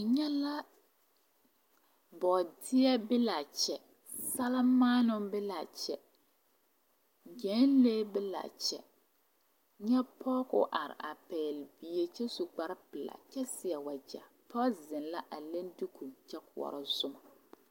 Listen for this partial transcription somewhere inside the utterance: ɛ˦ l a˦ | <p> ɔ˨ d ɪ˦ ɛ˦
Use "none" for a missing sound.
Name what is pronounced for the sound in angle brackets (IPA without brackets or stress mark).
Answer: b